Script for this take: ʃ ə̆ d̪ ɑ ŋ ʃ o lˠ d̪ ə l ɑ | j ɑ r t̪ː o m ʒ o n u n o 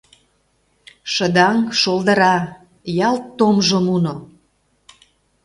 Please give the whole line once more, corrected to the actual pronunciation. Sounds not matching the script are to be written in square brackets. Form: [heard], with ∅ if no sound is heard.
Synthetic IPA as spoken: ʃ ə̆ d̪ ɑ ŋ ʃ o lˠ d̪ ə [ɾ] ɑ | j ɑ [l] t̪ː o m ʒ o [m] u n o